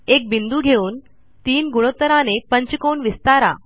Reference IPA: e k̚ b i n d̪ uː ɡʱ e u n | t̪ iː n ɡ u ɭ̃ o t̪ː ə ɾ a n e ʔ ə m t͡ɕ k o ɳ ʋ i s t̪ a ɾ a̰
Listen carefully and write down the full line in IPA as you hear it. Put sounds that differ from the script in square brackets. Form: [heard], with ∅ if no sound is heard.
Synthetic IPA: e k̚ b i n d̪ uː ɡʱ e [uː] n | t̪ iː n ɡ u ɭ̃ o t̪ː ə ɾ a n e [p] ə [ɲ] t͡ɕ k o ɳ ʋ i s t̪ a ɾ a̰